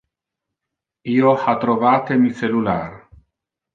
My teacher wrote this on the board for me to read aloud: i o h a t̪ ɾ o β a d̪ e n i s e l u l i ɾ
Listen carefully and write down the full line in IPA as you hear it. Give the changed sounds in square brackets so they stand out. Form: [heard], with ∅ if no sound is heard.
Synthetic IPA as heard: i o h a t̪ ɾ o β a [t̪] e [m] i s e l u l [a] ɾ